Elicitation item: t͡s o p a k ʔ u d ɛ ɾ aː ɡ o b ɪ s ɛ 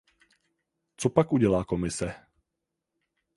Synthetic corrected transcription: t͡s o p a k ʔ u ɟ ɛ l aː k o m ɪ s ɛ